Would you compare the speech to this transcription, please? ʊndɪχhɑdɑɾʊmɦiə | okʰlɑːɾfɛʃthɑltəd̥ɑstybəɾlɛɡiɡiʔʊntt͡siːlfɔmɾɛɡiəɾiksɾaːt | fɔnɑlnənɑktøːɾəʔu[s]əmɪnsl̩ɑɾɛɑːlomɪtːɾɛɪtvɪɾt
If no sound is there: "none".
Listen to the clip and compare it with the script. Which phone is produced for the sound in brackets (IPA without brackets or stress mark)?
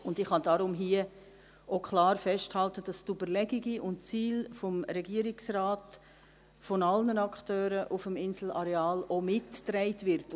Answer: f